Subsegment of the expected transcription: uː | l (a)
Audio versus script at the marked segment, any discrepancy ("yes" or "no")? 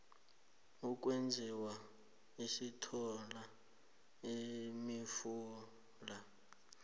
no